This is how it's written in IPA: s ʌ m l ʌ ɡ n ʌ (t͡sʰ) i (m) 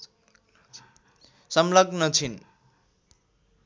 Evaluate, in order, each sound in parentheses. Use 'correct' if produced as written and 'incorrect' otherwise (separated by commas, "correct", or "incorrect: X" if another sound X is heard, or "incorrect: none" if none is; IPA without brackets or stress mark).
correct, incorrect: n